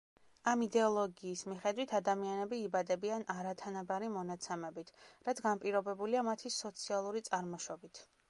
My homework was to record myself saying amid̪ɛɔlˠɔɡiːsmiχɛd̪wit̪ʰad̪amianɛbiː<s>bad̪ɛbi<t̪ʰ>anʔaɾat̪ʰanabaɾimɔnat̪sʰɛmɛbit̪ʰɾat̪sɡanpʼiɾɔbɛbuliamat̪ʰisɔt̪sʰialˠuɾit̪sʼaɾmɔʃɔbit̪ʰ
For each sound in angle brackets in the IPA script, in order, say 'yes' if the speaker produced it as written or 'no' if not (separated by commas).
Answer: no, no